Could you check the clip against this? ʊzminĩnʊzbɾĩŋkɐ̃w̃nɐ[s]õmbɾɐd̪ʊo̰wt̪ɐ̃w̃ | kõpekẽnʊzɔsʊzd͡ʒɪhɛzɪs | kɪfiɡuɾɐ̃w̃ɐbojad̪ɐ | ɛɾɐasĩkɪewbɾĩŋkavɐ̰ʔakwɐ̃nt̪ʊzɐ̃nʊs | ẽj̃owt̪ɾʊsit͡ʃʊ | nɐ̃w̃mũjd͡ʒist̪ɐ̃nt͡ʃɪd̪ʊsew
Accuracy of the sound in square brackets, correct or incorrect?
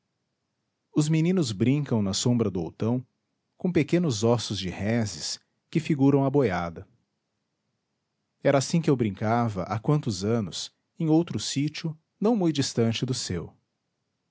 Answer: correct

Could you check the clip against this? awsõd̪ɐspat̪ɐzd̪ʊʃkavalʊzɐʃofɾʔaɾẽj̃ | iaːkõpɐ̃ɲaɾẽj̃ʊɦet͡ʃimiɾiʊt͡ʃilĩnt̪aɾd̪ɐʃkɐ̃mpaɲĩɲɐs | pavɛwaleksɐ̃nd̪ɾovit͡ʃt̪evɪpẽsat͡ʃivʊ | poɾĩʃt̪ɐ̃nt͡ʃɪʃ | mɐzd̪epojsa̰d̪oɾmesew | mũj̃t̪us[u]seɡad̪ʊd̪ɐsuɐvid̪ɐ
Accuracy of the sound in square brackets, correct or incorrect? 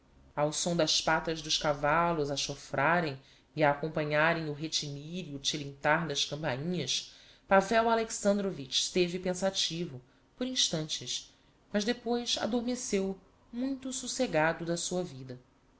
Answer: correct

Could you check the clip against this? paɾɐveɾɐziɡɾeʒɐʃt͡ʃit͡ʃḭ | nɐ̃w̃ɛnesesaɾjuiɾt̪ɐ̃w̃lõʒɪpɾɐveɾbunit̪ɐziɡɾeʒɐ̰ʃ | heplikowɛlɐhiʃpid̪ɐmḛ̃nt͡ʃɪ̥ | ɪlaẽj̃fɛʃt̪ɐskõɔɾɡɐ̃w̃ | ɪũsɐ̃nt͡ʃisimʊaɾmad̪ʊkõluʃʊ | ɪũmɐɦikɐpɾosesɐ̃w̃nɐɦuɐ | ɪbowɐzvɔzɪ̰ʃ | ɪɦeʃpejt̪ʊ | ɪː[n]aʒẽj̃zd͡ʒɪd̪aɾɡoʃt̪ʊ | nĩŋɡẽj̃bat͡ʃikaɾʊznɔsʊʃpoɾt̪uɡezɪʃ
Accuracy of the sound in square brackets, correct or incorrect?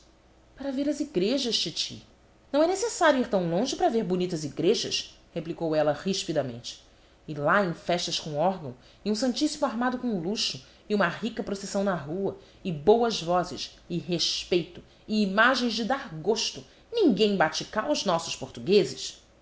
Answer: incorrect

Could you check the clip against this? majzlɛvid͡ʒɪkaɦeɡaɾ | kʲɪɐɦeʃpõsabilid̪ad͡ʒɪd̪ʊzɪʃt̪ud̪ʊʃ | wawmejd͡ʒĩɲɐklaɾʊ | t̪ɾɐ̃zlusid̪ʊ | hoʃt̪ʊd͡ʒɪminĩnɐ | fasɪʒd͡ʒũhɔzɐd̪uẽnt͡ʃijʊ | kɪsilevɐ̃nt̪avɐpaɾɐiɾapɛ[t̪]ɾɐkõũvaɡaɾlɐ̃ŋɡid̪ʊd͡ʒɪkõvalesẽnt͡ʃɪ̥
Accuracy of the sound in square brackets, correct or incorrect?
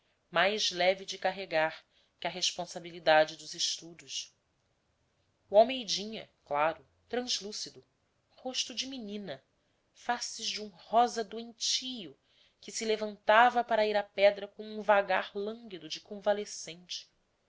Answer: incorrect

